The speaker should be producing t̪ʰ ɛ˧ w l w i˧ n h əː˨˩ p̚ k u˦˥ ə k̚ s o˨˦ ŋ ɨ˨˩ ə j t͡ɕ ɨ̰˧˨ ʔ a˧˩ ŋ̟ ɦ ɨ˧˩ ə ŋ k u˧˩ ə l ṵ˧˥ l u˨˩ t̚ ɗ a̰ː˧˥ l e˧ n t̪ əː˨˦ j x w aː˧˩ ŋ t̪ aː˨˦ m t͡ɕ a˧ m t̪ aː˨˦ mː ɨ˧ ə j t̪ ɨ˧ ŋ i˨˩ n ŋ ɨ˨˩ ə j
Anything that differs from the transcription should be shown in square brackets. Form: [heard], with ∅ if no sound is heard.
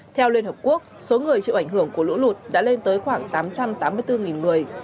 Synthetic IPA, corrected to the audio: t̪ʰ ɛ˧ w l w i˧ n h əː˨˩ p̚ k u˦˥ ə k̚ s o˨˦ ŋ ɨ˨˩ ə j t͡ɕ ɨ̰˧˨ ʔ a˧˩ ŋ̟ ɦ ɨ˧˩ ə ŋ k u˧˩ ə l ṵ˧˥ l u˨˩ t̚ ɗ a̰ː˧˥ l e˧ n t̪ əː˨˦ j x w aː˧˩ ŋ t̪ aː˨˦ m t͡ɕ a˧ m t̪ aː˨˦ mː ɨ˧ ə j t̪ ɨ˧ ŋ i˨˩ n ŋ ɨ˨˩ ə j